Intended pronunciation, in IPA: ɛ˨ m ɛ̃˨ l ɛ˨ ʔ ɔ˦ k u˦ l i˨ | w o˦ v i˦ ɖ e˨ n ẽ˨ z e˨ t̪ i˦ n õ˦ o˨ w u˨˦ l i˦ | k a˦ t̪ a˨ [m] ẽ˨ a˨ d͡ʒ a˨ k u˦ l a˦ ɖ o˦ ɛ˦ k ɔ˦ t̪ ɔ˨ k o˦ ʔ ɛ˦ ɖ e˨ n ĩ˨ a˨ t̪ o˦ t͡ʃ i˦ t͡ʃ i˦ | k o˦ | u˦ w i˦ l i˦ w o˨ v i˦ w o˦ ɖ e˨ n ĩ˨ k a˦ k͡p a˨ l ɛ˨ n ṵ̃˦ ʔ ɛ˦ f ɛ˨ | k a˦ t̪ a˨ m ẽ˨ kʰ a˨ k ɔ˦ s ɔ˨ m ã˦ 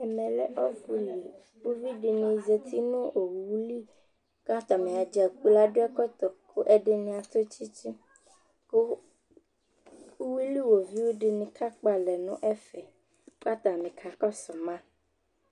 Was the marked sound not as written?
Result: no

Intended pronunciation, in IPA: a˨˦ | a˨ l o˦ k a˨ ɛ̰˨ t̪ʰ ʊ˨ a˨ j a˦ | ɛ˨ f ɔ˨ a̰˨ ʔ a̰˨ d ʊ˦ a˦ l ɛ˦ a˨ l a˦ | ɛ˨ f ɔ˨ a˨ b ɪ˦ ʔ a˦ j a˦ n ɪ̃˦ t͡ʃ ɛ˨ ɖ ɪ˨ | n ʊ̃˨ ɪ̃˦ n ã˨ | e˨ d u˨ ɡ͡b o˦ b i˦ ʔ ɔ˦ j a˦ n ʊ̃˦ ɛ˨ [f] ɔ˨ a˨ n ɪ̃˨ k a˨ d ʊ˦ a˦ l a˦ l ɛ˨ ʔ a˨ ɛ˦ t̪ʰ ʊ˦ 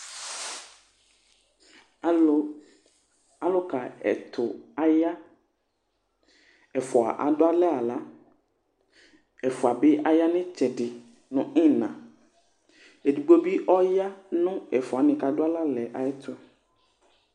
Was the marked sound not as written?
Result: no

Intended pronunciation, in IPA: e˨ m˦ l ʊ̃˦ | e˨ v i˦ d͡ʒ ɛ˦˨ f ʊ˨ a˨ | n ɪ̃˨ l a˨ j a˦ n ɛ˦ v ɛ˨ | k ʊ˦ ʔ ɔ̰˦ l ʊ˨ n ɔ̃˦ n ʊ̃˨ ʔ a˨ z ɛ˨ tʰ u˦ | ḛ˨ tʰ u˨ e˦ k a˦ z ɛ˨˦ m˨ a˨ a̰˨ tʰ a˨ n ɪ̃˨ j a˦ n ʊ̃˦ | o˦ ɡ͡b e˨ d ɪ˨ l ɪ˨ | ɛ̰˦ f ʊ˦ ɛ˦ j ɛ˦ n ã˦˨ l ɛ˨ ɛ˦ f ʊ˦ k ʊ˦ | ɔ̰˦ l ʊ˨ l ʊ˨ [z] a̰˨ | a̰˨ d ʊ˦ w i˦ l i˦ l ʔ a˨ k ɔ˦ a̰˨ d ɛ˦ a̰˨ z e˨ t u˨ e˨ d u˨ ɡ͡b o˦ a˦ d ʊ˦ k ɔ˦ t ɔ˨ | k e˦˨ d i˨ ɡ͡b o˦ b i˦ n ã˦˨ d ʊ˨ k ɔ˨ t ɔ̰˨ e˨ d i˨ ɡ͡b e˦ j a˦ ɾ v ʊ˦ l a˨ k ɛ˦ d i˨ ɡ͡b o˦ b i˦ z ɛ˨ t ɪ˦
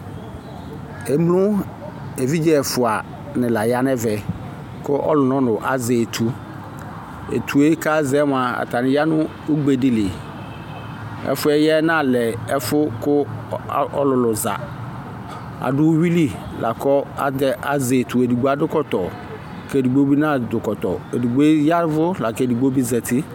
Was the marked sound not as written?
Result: no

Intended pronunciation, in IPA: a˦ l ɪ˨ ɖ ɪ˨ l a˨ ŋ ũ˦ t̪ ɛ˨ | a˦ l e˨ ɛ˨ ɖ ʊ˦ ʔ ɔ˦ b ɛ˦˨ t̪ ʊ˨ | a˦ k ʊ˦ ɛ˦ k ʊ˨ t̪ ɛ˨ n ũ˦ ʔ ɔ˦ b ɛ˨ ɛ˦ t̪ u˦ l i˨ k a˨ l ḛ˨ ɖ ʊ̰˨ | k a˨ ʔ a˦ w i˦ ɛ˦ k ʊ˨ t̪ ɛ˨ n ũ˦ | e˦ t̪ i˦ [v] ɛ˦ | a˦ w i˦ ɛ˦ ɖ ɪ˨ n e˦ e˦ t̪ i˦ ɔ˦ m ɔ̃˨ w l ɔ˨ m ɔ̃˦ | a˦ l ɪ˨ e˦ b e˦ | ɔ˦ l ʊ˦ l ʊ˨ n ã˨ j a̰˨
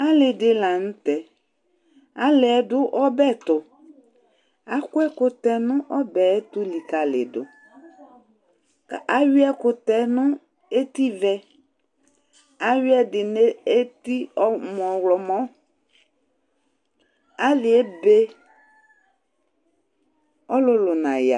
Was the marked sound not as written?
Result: no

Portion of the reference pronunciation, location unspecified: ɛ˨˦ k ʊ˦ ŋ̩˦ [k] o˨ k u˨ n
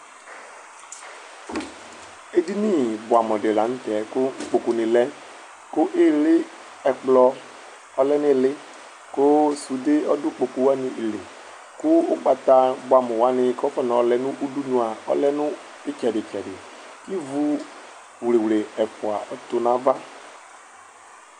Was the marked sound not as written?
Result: yes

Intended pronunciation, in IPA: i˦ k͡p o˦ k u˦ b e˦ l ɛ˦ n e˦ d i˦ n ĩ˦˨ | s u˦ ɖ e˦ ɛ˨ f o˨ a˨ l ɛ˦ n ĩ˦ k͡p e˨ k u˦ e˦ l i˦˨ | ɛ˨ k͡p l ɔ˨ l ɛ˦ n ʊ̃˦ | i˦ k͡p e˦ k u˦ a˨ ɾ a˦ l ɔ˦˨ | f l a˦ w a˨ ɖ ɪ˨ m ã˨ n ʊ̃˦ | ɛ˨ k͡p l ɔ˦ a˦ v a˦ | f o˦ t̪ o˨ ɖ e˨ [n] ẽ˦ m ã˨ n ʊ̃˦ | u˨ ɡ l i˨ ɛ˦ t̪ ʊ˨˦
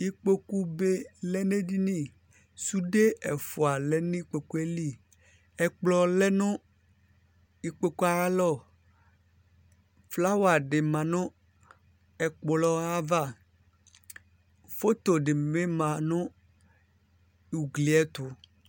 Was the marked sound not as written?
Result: yes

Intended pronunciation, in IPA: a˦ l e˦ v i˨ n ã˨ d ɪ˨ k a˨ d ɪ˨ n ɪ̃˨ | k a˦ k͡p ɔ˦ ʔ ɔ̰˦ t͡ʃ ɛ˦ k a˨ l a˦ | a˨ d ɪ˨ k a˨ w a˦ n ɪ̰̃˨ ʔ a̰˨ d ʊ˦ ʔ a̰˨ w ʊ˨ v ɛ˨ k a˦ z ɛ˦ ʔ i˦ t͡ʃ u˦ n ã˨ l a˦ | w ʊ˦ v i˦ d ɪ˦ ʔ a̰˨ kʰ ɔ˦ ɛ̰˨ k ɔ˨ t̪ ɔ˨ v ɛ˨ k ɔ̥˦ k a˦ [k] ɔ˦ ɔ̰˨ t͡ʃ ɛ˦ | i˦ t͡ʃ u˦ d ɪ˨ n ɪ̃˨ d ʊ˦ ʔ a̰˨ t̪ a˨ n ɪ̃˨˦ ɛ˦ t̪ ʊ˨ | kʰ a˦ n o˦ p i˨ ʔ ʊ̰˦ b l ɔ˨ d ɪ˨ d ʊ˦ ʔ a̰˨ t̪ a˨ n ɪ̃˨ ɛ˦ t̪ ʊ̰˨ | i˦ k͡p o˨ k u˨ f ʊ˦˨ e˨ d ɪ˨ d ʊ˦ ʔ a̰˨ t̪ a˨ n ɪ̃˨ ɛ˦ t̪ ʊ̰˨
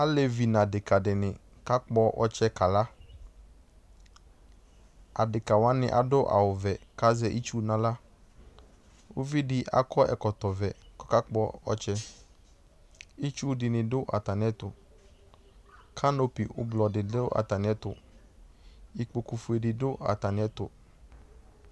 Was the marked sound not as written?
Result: yes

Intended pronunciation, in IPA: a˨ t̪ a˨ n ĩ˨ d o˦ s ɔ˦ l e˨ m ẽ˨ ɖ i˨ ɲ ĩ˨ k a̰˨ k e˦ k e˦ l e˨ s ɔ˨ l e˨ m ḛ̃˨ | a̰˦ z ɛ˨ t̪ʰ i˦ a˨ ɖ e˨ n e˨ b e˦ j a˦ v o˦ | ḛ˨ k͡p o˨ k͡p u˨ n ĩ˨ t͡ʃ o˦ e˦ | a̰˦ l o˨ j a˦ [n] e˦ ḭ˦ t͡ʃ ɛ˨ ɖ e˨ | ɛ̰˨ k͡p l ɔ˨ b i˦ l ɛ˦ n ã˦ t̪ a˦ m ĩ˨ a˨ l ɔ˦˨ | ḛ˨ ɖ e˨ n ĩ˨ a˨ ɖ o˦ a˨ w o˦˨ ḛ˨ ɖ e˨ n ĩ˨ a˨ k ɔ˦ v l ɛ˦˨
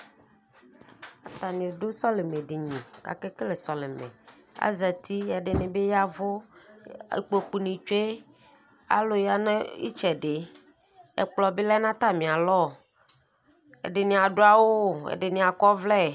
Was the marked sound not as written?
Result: no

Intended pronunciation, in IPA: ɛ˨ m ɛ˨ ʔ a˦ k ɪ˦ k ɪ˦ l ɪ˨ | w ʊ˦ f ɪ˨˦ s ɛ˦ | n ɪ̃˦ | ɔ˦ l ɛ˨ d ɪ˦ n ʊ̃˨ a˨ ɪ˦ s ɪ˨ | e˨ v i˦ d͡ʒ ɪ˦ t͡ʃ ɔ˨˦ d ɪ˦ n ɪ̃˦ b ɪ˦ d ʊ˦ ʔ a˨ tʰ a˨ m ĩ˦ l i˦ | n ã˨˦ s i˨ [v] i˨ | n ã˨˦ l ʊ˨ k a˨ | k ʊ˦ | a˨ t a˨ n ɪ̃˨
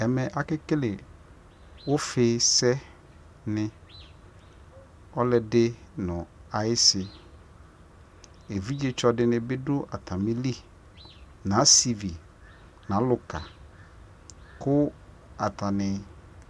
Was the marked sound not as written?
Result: no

